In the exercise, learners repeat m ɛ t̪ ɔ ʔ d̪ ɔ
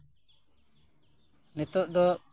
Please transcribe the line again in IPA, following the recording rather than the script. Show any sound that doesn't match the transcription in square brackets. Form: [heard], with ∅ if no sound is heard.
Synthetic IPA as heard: [n] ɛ t̪ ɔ ʔ d̪ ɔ